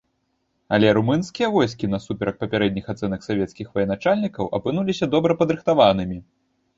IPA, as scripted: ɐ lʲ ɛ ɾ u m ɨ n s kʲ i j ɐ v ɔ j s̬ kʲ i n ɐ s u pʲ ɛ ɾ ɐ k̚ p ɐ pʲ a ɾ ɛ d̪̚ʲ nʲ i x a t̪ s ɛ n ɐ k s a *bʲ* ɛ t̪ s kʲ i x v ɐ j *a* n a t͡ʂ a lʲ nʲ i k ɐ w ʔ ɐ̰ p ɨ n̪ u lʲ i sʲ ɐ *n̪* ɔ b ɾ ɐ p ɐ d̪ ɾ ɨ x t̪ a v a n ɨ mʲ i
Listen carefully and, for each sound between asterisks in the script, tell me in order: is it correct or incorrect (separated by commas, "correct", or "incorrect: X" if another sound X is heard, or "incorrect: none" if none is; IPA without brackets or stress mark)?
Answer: incorrect: vʲ, incorrect: ɛ, incorrect: d̪